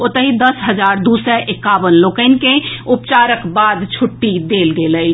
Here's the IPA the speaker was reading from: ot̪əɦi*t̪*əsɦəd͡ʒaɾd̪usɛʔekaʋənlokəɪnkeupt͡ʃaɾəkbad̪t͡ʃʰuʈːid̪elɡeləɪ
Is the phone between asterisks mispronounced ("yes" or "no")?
yes